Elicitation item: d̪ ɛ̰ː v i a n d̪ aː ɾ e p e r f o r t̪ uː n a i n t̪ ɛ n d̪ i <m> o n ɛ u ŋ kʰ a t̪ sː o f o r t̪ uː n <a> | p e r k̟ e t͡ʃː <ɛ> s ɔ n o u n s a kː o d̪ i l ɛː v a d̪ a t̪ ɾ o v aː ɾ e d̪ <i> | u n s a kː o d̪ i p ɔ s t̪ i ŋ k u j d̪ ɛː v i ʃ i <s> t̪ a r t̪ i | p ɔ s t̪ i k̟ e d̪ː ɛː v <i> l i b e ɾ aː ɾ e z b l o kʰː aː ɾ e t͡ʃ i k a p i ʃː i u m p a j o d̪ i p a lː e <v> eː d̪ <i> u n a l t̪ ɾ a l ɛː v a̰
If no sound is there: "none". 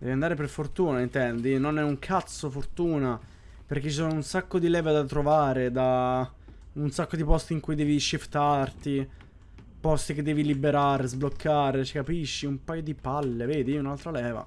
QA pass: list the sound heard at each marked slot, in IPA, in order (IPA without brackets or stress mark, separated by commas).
n, a, i, a, f, i, v, i